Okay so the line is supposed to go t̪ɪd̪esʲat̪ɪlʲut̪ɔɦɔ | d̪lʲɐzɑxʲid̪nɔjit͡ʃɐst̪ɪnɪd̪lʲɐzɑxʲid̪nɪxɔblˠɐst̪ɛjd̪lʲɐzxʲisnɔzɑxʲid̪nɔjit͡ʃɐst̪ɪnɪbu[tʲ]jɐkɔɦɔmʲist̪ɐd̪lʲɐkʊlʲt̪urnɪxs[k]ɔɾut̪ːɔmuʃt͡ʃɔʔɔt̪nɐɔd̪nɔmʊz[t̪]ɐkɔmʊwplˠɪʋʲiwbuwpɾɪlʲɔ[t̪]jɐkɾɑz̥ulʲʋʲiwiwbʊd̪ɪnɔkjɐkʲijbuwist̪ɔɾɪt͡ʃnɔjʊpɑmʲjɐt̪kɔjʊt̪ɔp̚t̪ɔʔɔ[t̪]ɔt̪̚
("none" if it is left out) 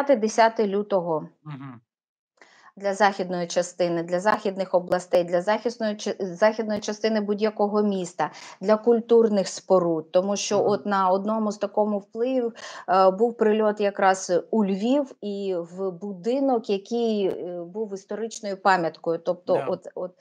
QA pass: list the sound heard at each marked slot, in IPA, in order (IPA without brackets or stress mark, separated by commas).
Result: dʲ, p, t̪, t̪, t̪